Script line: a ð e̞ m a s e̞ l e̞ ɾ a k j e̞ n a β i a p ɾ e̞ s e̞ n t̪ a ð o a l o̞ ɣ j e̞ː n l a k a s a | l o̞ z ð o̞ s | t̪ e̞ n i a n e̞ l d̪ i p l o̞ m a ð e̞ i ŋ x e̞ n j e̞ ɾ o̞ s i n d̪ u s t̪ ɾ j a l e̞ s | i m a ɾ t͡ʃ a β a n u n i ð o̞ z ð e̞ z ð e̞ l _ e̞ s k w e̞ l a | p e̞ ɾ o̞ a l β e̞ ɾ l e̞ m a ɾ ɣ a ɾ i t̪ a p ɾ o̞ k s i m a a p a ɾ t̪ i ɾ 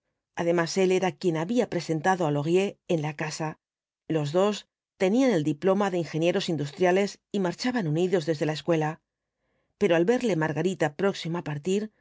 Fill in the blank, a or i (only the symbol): a